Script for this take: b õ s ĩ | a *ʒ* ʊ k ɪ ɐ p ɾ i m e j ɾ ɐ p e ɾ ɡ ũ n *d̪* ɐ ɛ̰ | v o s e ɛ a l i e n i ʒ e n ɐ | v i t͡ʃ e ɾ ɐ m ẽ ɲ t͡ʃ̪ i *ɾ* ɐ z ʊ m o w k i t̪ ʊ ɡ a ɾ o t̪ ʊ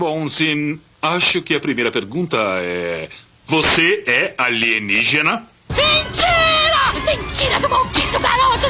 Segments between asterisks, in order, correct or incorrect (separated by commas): incorrect, incorrect, correct